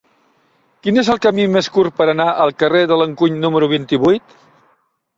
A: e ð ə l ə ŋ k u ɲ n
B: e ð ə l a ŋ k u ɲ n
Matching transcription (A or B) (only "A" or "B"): A